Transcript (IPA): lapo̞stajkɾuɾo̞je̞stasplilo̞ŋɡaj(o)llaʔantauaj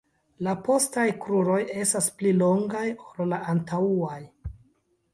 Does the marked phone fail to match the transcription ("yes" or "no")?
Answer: no